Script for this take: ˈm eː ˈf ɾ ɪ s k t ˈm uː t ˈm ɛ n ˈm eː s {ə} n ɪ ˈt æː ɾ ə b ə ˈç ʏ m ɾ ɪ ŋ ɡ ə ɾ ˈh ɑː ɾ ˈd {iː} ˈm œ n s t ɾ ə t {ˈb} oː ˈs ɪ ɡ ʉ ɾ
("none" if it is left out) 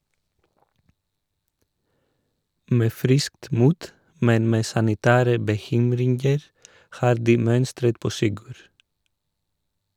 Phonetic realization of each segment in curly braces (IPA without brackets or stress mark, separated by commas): ɑ, iː, p